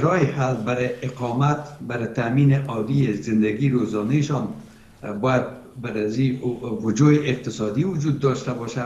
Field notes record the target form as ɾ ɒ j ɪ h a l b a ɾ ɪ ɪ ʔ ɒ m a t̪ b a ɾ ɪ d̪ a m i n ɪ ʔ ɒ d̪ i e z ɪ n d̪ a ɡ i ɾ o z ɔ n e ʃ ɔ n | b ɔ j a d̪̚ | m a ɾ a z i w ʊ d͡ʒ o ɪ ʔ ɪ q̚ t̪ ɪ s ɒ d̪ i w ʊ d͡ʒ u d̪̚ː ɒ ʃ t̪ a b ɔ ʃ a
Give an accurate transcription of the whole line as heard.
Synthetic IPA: ɾ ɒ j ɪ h a l b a ɾ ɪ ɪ q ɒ m a t̪ b a ɾ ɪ t̪ a m i n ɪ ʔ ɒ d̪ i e z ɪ n d̪ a ɡ i ɾ o z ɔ n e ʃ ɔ n | b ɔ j a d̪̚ | b a ɾ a z i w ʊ d͡ʒ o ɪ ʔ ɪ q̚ t̪ ɪ s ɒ d̪ i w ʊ d͡ʒ u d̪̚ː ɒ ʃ t̪ a b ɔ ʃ a